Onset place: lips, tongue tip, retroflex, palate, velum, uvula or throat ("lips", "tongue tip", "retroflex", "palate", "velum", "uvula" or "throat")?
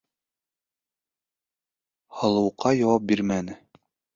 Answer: throat